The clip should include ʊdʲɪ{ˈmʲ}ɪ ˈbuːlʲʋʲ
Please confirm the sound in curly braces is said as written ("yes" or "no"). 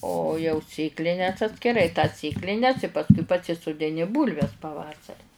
no